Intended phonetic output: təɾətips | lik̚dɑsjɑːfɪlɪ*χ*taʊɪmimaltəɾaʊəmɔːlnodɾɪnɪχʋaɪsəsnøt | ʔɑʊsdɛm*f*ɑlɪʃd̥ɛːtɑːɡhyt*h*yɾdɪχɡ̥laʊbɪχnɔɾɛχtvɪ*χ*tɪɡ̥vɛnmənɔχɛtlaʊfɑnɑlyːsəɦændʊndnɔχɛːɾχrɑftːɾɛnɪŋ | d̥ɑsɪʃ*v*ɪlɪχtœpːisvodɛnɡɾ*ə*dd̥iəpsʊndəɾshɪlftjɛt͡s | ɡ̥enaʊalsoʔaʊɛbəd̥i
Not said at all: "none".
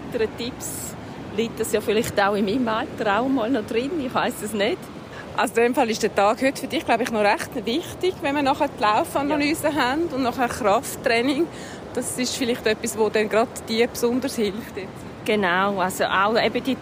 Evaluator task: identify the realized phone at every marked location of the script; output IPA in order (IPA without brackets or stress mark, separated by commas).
χ, f, f, χ, f, ɑ